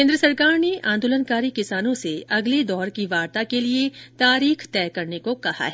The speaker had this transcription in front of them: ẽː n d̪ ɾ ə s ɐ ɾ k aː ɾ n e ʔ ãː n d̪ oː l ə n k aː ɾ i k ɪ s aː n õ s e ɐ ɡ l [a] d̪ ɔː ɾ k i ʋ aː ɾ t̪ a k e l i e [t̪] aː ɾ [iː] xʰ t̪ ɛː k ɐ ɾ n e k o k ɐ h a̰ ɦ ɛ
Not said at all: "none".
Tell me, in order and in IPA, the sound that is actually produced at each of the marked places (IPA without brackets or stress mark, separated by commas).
e, t̪, iː